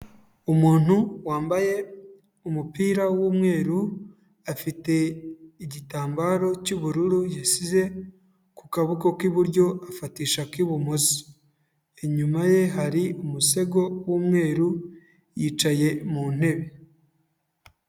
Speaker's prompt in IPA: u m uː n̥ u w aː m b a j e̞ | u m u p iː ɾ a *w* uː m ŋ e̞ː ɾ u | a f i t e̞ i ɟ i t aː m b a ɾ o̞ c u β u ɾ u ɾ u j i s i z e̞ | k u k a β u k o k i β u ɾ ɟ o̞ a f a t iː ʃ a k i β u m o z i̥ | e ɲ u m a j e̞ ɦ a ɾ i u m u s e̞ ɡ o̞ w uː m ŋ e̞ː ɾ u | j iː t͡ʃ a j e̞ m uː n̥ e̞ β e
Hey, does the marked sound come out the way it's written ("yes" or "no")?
yes